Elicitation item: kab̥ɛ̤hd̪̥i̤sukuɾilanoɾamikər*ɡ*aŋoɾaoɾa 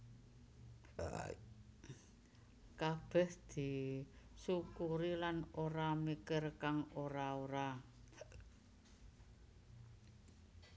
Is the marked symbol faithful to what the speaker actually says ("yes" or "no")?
no